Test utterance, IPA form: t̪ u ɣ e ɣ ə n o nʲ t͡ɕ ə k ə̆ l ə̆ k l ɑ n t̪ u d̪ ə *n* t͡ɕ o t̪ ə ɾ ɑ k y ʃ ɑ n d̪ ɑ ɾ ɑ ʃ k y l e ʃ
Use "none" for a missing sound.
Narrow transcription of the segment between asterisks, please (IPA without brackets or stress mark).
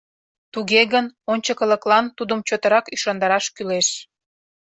m